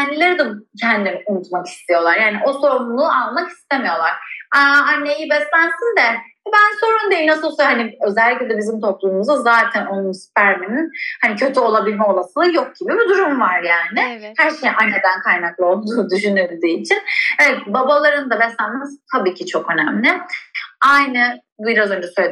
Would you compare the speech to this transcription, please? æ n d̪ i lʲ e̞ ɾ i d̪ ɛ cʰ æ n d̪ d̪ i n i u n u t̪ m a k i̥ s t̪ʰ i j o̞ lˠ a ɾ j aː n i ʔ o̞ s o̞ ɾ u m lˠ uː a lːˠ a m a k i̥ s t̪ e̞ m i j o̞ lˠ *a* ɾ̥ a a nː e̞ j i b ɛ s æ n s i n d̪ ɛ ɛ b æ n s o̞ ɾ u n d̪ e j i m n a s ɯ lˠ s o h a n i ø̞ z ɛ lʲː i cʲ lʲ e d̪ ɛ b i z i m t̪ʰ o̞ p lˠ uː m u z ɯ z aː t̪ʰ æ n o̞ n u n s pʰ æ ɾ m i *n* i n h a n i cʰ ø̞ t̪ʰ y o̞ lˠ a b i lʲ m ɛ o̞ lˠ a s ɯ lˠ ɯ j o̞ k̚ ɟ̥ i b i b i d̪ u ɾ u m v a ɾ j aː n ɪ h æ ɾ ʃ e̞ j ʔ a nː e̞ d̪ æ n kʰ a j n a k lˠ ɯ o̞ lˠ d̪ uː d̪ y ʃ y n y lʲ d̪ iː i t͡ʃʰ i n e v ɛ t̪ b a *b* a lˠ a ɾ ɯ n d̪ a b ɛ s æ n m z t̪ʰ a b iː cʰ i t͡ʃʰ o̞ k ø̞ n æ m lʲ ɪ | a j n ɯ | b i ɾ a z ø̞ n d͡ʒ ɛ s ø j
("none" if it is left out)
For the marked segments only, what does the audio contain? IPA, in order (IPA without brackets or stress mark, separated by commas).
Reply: a, n, b